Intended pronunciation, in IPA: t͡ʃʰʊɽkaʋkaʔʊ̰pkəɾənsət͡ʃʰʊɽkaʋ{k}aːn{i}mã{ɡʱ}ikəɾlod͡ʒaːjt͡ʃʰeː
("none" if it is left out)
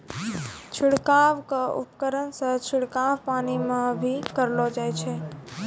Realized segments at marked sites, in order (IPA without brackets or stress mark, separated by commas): p, i, bʱ